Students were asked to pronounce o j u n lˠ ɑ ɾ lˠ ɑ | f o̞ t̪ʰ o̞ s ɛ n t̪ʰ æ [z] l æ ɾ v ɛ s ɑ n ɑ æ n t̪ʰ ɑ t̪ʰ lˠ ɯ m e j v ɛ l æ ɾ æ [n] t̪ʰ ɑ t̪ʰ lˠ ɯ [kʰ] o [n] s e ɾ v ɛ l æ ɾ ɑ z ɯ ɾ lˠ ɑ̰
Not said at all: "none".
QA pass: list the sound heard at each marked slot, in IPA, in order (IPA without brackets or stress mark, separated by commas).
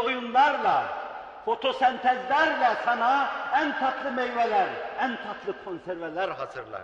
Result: z, n, kʰ, n